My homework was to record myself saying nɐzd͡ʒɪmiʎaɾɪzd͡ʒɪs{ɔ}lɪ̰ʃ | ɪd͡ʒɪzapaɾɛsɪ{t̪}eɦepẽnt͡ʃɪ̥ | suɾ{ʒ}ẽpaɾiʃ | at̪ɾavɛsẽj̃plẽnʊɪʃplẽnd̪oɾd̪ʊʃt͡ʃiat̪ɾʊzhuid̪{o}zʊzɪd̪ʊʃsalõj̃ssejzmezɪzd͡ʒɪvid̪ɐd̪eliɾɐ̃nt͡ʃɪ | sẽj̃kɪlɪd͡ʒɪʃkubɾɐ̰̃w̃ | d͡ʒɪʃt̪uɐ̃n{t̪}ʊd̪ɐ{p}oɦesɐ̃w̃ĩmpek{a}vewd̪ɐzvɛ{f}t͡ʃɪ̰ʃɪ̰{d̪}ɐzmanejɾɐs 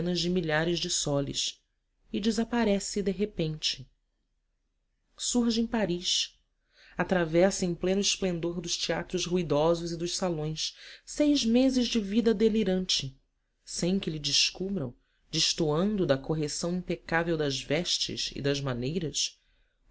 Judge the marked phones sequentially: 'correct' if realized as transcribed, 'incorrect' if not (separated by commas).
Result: correct, incorrect, correct, incorrect, incorrect, incorrect, correct, incorrect, correct